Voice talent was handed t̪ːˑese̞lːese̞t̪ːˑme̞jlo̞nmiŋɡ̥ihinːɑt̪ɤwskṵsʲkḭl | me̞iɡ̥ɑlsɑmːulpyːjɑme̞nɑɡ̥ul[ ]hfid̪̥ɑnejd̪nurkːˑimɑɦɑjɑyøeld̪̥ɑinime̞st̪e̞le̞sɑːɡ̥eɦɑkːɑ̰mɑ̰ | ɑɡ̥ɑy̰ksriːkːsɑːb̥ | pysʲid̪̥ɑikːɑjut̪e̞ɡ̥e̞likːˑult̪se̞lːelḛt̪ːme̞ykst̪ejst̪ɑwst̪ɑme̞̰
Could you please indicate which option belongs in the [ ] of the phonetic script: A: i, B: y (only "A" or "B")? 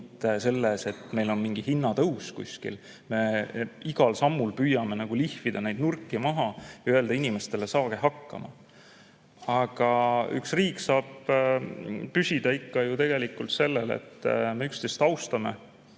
A